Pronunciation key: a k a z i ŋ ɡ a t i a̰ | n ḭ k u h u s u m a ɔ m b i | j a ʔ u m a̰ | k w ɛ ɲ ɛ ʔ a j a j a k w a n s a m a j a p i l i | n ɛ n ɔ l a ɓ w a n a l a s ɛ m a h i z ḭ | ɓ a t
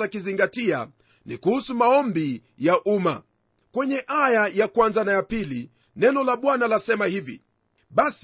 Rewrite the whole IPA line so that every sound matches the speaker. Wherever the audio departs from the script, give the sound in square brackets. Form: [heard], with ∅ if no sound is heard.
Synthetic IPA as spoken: a k [i] z i ŋ ɡ a t i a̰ | n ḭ k u h u s u m a ɔ m b i | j a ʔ u m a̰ | k w ɛ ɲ ɛ ʔ a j a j a k w a n [z] a [n] a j a p i l i | n ɛ n ɔ l a ɓ w a n a l a s ɛ m a h i [v] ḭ | ɓ a [s]